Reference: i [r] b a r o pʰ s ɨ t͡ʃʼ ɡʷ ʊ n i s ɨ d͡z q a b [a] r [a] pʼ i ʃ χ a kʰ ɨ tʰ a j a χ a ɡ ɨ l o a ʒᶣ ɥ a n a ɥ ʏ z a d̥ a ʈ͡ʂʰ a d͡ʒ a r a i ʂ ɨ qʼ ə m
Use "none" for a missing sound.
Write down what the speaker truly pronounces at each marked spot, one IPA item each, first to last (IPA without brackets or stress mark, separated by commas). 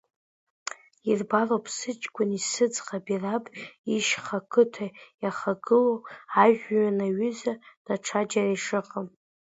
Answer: r, i, a